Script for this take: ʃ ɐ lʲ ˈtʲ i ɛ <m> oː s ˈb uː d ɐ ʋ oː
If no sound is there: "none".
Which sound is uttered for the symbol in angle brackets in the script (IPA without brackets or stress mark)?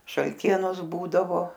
n